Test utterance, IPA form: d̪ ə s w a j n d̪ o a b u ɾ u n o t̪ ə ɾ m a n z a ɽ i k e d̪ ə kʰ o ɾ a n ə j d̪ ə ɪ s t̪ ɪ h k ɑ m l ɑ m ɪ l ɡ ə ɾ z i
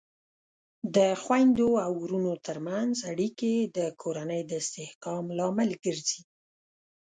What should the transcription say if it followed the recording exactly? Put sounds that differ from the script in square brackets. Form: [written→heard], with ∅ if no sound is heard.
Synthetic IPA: d̪ ə [s→x] w a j n d̪ o a [b→w] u ɾ u n o t̪ ə ɾ m a n z a ɽ i k e d̪ ə kʰ o ɾ a n ə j d̪ ə ɪ s t̪ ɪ h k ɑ m l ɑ m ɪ l ɡ ə ɾ z i

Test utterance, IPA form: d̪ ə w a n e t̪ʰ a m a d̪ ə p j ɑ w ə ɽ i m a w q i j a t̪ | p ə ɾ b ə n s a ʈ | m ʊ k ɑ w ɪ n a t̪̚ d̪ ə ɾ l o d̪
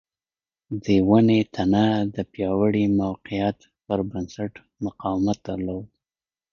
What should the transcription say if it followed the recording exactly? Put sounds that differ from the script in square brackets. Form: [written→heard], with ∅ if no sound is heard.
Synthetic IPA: d̪ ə w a n e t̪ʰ a [m→n] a d̪ ə p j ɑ w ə ɽ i m a w q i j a t̪ | p ə ɾ b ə n s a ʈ | m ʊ [k→q] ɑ w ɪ [n→m] a t̪̚ d̪ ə ɾ l o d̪

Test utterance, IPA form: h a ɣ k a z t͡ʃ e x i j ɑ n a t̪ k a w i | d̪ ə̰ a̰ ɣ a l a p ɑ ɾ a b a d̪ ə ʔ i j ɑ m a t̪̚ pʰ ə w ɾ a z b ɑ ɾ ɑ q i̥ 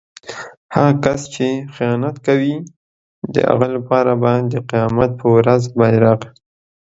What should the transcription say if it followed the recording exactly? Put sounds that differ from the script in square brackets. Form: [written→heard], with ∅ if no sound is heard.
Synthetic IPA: h a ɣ k a [z→s] t͡ʃ e x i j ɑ n a t̪ k a w i | d̪ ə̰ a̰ ɣ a l a p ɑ ɾ a b a d̪ ə [ʔ→q] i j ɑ m a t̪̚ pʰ ə w ɾ a z b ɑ ɾ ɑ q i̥

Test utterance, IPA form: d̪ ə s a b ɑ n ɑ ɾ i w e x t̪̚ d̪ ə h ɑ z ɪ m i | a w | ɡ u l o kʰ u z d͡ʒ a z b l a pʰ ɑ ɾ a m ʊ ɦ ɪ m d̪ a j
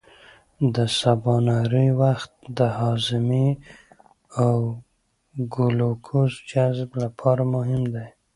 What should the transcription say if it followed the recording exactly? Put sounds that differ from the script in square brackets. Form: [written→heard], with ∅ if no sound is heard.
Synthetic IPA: d̪ ə s a b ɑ n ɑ ɾ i w [e→a] x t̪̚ d̪ ə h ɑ z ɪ m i | a w | ɡ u l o kʰ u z d͡ʒ a z b l a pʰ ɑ ɾ a m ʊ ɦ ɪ m d̪ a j

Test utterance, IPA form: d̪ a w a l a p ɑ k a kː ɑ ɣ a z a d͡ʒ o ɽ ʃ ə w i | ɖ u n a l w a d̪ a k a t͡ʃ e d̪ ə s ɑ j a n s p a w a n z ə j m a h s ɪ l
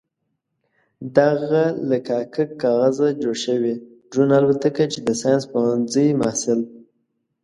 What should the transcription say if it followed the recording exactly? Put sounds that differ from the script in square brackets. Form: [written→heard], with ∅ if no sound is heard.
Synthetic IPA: d̪ a [w→ɣ] a l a [p→k] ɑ k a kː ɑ ɣ a z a d͡ʒ o ɽ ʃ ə w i | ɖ u n a l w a [d̪→t̪] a k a t͡ʃ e d̪ ə s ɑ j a n s p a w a n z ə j m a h s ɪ l

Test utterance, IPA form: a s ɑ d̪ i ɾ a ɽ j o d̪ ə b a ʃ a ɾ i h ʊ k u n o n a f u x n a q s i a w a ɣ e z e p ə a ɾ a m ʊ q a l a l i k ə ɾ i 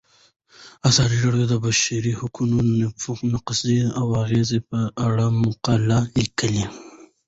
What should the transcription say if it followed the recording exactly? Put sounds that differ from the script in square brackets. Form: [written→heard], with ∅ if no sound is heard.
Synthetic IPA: a s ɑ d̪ i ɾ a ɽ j o d̪ ə b a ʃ a ɾ i h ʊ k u n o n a f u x n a q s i a w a ɣ e z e p ə a [ɾ→ɽ] a m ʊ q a l a l i k ə [ɾ→l] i

